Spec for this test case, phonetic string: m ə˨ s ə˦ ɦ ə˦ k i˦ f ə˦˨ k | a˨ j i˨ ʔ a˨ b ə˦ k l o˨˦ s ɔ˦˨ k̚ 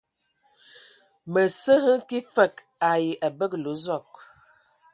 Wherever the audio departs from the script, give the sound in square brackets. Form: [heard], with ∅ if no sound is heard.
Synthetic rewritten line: m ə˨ s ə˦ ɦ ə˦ k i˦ f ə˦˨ k | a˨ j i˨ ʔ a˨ b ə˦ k l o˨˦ [z] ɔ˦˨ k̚